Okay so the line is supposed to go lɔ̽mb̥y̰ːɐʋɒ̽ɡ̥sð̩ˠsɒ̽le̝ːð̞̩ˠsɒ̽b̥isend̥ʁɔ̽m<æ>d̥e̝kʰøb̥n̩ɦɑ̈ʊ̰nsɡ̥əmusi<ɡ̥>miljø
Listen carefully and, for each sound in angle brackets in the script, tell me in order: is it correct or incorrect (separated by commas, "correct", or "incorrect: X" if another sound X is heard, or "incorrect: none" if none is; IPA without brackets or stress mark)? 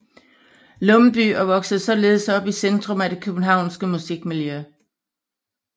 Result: correct, correct